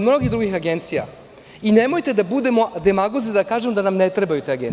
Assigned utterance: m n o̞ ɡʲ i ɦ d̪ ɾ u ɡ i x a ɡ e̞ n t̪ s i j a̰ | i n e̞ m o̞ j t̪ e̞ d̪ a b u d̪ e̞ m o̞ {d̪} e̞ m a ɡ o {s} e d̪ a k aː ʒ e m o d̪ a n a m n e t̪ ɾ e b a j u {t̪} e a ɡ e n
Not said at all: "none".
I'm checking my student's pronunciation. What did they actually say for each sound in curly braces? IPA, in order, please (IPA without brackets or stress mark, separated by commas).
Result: d̪, z, t̪